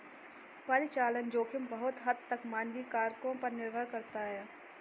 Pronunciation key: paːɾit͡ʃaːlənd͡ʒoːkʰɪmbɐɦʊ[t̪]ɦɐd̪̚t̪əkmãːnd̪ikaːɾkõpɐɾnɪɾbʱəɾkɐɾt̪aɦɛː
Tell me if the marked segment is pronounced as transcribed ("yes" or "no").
yes